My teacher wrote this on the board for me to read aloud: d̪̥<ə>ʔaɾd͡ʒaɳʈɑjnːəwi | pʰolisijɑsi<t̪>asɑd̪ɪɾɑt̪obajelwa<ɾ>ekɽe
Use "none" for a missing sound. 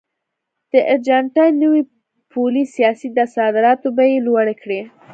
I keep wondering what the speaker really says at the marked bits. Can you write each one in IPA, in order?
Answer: ə, d̪, ɽ

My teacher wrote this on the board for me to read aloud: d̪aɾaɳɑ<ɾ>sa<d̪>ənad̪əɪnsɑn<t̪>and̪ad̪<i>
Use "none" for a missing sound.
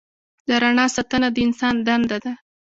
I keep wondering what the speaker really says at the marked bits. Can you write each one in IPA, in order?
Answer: none, t̪, d̪, a

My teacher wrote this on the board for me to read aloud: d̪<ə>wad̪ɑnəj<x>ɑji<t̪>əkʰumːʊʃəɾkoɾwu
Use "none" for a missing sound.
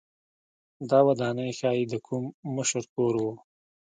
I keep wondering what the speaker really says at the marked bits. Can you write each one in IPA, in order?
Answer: ɑ, x, d̪

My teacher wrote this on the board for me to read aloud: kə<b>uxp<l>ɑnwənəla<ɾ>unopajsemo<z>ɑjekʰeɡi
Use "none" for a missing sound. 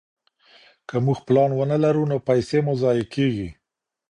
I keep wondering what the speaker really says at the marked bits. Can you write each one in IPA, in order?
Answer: m, l, ɾ, z

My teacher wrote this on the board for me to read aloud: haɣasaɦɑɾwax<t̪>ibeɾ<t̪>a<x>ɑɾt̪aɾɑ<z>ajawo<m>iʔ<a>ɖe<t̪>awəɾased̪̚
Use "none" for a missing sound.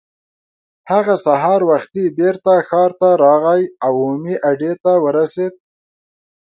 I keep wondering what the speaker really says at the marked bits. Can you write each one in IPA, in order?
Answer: t̪, t̪, x, ɣ, m, a, t̪

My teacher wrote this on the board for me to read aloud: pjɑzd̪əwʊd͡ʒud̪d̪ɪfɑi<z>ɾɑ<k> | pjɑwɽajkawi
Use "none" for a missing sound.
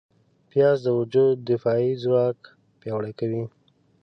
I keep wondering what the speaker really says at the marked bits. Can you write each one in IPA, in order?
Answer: z, k

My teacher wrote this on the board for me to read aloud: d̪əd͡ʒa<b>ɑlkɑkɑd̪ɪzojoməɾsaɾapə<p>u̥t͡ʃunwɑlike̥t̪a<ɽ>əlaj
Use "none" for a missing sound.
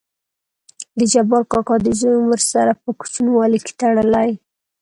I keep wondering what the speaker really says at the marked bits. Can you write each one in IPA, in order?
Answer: b, k, ɽ

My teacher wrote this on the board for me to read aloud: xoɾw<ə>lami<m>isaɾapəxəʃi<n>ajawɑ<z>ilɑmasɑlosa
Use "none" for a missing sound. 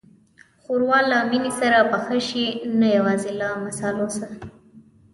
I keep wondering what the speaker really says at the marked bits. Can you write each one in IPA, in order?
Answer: ɑ, n, n, z

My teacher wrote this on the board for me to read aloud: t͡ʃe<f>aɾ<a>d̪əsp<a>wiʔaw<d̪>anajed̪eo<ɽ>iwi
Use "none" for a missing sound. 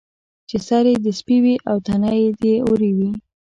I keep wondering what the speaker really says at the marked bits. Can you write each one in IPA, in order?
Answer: s, e, i, t̪, ɾ

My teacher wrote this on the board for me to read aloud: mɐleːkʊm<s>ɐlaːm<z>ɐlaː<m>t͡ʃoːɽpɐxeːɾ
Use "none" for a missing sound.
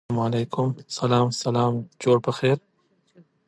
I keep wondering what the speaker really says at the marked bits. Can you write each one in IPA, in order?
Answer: s, s, m

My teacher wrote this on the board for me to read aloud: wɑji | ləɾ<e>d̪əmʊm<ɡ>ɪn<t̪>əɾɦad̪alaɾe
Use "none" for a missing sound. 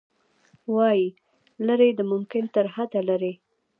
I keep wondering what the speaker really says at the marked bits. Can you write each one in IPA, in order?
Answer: e, k, t̪

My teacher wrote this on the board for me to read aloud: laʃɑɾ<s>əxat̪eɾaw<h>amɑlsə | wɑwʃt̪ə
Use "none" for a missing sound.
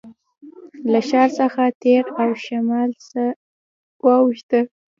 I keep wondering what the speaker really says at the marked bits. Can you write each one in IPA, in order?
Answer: s, ʃ

